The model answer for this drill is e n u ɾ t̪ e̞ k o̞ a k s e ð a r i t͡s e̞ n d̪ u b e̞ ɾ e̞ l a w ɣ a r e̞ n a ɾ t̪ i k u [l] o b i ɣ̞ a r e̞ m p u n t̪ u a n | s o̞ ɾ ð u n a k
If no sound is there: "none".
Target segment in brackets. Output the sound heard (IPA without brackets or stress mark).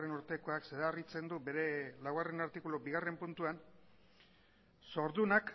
l